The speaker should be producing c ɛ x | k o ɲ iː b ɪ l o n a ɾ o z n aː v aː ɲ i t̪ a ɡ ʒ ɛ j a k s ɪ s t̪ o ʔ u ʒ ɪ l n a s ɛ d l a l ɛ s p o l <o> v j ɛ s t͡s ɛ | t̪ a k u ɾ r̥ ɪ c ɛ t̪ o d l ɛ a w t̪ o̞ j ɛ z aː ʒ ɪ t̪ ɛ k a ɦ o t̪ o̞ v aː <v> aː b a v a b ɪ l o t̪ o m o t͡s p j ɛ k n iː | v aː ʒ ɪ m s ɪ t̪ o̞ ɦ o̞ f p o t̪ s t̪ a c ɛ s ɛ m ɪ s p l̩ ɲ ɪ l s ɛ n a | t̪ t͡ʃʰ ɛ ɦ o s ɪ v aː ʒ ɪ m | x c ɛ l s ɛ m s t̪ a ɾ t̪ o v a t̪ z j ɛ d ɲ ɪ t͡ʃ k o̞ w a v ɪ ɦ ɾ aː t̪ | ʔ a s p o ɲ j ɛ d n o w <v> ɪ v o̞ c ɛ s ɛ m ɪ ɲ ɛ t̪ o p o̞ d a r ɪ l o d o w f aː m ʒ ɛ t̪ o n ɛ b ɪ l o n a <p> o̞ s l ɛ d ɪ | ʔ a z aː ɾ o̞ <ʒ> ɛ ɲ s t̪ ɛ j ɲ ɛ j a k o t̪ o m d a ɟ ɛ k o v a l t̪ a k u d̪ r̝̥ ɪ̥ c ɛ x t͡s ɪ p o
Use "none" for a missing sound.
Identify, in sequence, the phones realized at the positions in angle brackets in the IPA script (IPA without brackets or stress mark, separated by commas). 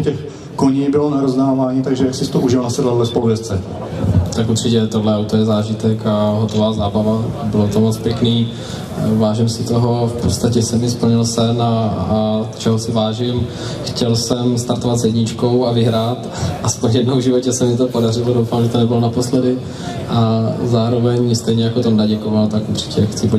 u, z, ʒ, p, v